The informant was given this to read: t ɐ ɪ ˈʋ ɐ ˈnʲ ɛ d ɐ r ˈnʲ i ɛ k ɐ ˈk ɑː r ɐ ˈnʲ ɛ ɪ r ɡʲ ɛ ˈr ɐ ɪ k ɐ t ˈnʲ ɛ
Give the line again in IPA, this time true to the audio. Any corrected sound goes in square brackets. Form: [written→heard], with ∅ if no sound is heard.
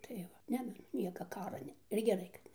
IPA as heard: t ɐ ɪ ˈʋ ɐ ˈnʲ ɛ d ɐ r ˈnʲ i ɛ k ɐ ˈk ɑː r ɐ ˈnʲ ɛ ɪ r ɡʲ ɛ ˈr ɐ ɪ k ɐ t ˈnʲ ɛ

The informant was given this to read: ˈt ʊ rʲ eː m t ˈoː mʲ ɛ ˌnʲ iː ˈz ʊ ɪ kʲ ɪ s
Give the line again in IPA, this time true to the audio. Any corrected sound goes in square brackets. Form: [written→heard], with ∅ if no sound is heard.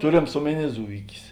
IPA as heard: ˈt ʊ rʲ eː m [t→s] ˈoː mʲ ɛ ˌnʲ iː ˈz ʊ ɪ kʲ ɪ s

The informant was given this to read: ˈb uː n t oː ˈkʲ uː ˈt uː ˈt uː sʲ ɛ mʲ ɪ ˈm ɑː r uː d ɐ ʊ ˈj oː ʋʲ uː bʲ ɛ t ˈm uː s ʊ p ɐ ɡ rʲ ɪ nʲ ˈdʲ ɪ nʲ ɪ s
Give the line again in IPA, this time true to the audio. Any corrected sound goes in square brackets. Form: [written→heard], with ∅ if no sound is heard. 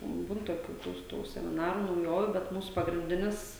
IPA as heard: ˈb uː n t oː ˈkʲ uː ˈt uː ˈt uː sʲ ɛ mʲ ɪ [ˈm→ˈn] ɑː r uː [d→n] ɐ ʊ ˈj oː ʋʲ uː bʲ ɛ t ˈm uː s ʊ p ɐ ɡ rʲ ɪ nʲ ˈdʲ ɪ nʲ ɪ s

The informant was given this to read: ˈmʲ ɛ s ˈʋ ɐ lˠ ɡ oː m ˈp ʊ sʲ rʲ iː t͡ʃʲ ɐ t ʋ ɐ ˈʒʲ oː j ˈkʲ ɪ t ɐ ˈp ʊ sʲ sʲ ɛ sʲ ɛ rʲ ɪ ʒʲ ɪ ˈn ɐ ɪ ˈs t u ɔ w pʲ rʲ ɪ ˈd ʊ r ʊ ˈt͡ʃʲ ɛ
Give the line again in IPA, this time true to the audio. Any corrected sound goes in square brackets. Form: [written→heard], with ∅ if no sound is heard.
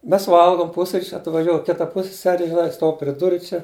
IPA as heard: ˈmʲ ɛ s ˈʋ ɐ lˠ ɡ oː m ˈp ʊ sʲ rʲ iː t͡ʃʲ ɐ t ʋ ɐ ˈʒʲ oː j ˈkʲ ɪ t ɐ ˈp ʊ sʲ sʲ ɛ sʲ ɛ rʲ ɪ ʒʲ ɪ ˈn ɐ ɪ ˈs t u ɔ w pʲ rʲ ɪ ˈd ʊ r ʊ ˈt͡ʃʲ ɛ

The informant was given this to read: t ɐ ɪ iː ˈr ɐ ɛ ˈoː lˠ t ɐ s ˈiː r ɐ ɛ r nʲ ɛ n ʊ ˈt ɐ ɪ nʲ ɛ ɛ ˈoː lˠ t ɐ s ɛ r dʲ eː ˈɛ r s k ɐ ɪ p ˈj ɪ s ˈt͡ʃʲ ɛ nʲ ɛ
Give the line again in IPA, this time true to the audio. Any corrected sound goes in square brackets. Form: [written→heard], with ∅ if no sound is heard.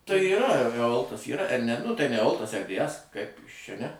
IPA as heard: t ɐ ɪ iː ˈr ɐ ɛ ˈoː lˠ t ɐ s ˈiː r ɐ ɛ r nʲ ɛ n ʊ ˈt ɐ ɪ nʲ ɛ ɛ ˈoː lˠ t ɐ s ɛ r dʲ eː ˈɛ [r→∅] s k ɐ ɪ p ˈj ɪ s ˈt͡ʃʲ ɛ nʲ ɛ

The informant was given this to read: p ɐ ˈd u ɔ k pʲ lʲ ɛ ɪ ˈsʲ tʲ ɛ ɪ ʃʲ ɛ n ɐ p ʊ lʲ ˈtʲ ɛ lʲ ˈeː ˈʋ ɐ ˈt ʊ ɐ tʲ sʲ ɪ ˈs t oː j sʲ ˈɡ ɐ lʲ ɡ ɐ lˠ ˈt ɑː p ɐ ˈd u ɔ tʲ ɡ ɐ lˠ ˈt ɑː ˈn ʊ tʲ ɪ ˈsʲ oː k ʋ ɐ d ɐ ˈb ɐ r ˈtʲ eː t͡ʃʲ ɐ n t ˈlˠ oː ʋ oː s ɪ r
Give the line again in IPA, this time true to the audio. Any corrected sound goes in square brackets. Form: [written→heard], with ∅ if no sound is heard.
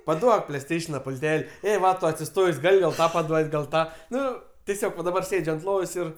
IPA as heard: p ɐ ˈd u ɔ k pʲ lʲ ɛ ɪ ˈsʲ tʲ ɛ ɪ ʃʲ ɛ n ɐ p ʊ lʲ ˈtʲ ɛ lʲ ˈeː ˈʋ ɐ ˈt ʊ ɐ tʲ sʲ ɪ ˈs t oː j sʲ ˈɡ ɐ lʲ ɡ ɐ lˠ ˈt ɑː p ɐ ˈd u ɔ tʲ ɡ ɐ lˠ ˈt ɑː ˈn ʊ tʲ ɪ ˈsʲ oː k ʋ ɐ d ɐ ˈb ɐ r [ˈtʲ→ˈsʲ] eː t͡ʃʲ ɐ n t ˈlˠ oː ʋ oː s ɪ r

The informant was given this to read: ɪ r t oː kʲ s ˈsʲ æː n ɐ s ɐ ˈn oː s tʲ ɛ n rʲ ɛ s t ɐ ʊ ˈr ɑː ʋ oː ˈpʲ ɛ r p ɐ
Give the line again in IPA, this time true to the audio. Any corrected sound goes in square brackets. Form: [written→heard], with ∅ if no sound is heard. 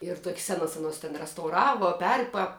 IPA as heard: ɪ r t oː kʲ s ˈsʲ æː n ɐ s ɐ ˈn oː s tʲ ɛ n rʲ ɛ s t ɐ ʊ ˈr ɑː ʋ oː ˈpʲ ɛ r p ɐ

